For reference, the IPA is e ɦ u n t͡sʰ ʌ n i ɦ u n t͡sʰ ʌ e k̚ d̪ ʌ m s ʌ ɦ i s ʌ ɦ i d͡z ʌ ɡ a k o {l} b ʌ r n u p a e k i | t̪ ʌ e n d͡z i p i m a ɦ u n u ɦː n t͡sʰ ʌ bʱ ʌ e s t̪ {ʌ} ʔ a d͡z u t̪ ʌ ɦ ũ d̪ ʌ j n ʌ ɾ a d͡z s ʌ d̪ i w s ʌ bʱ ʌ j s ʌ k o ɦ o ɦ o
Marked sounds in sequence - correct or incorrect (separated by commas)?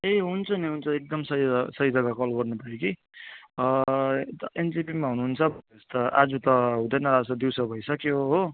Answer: correct, correct